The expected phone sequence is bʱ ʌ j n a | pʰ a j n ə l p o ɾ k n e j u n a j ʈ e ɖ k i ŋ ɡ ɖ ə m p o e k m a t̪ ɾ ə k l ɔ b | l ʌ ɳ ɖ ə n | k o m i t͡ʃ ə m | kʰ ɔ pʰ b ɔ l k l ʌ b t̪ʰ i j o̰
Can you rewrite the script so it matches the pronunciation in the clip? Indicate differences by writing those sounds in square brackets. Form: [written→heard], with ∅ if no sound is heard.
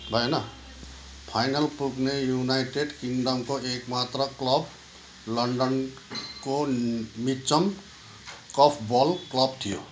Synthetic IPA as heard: bʱ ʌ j n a | pʰ a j n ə l p [o→u] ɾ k n e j u n a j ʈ e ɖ k i ŋ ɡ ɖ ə m [p→k] o e k m a t̪ ɾ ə k l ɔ b | l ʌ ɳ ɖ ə n | k o m i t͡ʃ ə m | [kʰ→k] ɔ pʰ b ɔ l k l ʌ b t̪ʰ i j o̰